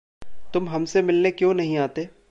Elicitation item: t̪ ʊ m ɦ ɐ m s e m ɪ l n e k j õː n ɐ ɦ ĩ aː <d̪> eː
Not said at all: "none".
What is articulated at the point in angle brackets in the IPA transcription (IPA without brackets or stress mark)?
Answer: t̪